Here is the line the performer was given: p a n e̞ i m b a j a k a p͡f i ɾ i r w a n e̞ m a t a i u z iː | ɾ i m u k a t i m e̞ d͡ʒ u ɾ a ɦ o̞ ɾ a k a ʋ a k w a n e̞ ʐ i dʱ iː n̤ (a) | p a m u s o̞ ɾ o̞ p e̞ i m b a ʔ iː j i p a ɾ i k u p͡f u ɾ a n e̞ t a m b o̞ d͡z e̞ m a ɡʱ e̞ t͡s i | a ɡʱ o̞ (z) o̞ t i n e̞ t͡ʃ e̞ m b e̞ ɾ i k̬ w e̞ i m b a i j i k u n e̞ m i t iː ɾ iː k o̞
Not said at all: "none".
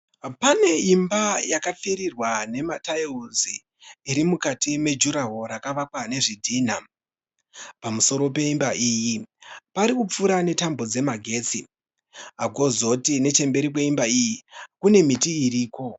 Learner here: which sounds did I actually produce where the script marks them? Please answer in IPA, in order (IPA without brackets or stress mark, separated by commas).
a, z